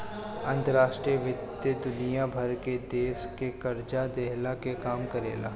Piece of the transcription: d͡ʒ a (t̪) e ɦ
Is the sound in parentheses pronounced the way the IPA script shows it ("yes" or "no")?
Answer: no